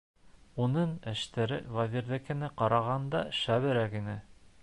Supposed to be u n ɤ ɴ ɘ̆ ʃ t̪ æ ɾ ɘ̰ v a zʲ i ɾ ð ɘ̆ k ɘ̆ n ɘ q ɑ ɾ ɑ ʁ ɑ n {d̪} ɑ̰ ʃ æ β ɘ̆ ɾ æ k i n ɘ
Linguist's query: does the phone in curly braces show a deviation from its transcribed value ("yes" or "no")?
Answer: no